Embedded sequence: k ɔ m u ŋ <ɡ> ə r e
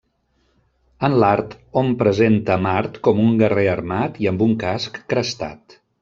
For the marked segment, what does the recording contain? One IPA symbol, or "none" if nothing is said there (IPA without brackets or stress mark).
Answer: ɡ